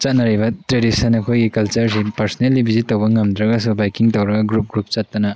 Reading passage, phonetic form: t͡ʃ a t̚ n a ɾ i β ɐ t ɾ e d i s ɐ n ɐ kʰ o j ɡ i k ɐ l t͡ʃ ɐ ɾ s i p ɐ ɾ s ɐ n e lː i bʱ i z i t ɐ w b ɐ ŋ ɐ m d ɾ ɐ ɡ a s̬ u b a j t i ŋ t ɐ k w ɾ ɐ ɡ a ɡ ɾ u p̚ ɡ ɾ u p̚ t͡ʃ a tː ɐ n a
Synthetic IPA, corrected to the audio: t͡ʃ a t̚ n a ɾ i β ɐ t ɾ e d i s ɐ n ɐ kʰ o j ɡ i k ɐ l t͡ʃ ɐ ɾ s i p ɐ ɾ s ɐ n e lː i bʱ i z i t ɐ w b ɐ ŋ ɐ m d ɾ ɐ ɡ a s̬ u b a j k i ŋ t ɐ w ɾ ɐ ɡ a ɡ ɾ u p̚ ɡ ɾ u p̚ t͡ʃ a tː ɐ n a